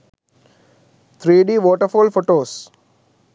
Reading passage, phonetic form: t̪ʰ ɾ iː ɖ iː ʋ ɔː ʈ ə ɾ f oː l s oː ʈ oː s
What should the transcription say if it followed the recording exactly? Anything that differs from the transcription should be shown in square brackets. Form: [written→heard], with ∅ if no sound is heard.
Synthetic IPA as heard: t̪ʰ ɾ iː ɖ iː ʋ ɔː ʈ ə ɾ f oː l [s→f] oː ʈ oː s